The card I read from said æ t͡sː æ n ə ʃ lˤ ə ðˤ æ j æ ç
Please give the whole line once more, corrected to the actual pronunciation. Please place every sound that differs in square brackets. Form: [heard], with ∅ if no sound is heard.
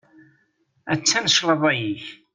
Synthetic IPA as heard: æ t͡sː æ n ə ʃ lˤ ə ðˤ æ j [i] ç